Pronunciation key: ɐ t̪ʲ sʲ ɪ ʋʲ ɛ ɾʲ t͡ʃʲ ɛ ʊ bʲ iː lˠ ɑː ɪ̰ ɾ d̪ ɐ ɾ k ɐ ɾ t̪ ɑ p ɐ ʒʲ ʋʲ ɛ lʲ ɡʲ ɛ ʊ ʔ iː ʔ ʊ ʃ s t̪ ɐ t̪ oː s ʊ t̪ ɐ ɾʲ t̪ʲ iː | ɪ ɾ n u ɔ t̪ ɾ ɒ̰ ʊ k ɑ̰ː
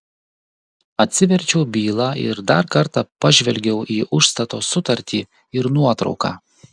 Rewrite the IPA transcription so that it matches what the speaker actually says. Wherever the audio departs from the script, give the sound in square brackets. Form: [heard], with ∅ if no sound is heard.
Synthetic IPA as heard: ɐ t̪ʲ sʲ ɪ ʋʲ ɛ ɾʲ t͡ʃʲ ɛ ʊ bʲ iː lˠ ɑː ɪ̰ ɾ d̪ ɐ ɾ k ɐ ɾ t̪ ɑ p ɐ ʒʲ ʋʲ ɛ lʲ ɡʲ ɛ ʊ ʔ iː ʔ ʊ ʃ s t̪ ɐ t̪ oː s ʊ t̪ ɐ ɾʲ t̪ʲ iː | ɪ ɾ n u ɔ t̪ ɾ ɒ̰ ʊ k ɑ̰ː